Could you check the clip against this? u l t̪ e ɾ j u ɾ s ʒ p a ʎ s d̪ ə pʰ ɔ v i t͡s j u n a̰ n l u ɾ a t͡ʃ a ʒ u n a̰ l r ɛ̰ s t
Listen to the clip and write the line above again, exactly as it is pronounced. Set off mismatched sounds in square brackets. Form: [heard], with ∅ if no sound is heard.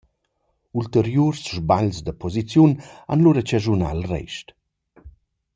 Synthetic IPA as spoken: u l t̪ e ɾ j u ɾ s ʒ [b] a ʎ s d̪ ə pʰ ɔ [z] i t͡s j u n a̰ n l u ɾ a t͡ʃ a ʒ u n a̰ l r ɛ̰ [ʃ] t